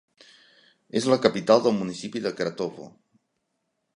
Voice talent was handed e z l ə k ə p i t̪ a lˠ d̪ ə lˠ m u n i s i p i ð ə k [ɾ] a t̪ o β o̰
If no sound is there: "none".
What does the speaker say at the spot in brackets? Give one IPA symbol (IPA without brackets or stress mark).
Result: ɾ